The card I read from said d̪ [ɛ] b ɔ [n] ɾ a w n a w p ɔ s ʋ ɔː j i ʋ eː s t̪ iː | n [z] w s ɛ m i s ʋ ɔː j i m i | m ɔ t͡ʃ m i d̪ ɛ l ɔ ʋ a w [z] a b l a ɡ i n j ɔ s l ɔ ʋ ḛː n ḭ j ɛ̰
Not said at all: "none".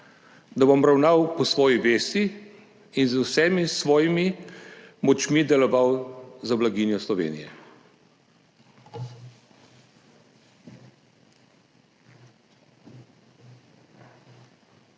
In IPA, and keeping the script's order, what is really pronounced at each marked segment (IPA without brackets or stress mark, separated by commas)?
a, m, z, z